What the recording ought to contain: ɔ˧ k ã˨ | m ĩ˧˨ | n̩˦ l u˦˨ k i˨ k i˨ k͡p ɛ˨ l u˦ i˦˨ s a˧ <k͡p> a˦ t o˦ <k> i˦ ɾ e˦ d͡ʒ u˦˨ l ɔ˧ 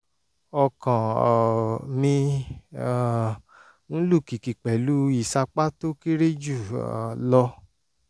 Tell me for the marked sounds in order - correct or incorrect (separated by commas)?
correct, correct